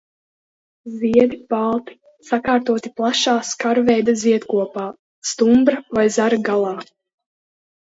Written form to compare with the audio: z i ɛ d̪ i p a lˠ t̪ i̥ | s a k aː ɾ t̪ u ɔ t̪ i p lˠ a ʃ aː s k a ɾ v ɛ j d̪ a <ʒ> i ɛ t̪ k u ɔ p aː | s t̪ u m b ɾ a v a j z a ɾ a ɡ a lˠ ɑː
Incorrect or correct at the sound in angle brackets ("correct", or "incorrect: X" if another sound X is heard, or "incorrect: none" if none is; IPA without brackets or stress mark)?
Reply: incorrect: z